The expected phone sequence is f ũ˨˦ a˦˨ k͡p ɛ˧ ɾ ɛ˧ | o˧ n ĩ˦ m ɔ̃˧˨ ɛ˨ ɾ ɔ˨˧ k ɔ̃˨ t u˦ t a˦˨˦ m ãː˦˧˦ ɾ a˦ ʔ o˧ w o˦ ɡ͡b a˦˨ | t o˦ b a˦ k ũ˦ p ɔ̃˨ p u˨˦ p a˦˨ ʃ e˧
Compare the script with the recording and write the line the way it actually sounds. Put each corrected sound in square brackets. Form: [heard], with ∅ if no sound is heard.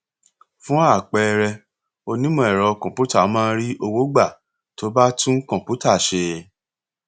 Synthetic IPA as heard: f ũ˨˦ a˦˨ k͡p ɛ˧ ɾ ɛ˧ | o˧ n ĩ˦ m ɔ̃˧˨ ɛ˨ ɾ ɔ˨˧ k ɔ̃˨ [p] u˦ t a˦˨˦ m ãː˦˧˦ ɾ [i˦] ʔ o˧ w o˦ ɡ͡b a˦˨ | t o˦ b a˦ [t] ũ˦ [k] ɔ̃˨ p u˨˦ [t] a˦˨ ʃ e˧